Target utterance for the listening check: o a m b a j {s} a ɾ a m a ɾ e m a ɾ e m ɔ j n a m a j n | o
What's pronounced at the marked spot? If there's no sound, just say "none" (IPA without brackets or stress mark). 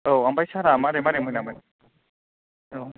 s